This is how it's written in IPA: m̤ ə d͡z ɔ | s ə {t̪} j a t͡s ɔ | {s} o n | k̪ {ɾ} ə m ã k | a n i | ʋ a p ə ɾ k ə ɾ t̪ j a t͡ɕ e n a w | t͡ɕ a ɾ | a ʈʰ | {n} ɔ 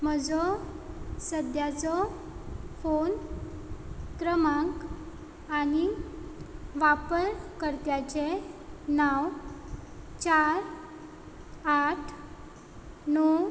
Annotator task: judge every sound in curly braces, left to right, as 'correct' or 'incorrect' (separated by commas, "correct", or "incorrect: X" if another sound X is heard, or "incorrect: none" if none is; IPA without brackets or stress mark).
incorrect: d̪, incorrect: f, correct, correct